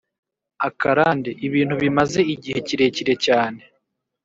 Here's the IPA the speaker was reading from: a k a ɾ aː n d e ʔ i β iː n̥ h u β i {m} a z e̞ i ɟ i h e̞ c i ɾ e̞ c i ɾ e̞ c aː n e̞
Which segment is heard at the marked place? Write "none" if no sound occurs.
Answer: m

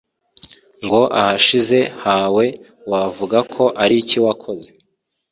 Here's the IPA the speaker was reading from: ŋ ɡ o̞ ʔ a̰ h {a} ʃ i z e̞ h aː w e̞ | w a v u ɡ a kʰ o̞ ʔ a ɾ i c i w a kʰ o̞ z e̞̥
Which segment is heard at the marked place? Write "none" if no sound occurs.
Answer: a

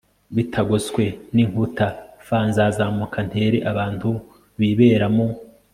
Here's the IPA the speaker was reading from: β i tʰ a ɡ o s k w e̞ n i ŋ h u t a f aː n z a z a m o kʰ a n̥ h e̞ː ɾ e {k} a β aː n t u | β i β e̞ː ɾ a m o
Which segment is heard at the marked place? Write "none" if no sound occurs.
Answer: ʔ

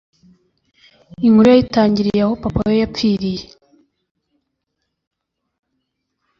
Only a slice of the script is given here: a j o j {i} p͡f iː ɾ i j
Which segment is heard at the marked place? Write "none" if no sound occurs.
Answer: a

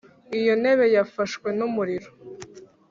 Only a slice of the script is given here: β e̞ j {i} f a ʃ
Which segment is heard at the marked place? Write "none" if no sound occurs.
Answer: a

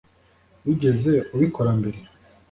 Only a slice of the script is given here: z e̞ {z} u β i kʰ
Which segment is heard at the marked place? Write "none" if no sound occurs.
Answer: none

